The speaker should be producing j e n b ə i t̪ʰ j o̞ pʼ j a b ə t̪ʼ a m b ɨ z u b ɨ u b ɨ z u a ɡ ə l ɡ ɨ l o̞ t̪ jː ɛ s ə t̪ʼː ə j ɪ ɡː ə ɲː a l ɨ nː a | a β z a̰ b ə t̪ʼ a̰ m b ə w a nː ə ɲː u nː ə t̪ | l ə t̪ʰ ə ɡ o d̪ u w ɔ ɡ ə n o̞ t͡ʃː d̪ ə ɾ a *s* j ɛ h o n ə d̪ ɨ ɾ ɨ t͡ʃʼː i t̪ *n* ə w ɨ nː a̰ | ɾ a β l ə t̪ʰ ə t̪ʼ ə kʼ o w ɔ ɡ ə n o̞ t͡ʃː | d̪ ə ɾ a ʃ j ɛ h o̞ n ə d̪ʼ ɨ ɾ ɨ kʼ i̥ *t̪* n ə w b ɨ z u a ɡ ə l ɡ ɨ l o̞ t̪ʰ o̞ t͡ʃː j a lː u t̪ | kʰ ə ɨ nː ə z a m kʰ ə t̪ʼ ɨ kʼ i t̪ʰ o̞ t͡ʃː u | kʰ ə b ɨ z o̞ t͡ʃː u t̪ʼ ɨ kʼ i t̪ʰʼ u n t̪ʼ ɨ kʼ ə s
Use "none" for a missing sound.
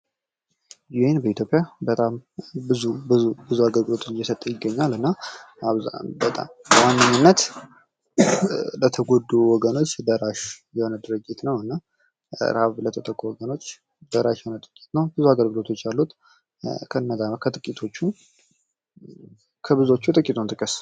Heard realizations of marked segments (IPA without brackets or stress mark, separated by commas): ʃ, n, t̪